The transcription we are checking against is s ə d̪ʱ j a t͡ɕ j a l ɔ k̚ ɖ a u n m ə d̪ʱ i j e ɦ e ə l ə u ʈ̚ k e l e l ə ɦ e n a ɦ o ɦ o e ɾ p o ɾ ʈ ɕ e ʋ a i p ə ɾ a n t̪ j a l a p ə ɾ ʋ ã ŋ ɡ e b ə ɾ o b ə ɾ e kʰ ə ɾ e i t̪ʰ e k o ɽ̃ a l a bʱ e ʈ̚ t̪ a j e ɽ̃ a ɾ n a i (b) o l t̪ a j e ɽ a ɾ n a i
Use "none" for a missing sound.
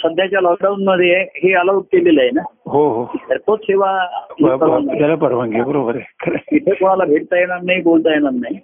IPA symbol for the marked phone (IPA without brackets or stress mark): b